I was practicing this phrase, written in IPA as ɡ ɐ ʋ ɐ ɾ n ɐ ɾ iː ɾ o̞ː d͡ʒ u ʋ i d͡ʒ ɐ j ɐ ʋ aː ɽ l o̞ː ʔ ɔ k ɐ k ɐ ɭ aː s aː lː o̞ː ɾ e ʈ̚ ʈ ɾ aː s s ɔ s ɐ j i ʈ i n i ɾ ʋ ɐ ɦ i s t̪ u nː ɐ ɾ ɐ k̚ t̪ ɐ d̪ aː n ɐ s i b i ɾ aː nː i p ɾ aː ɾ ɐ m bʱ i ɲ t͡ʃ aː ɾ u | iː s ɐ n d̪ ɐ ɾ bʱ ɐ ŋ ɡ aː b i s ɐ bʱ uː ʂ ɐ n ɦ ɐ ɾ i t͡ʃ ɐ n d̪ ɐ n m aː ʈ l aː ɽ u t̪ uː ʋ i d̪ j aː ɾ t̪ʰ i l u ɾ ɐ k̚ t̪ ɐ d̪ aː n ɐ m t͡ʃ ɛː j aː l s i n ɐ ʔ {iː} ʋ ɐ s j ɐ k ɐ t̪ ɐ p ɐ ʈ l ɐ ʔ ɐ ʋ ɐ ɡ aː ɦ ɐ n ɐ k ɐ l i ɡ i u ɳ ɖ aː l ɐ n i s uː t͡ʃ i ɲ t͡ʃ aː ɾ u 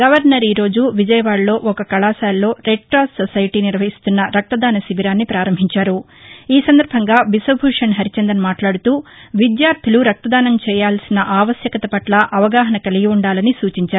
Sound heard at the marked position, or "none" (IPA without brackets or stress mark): aː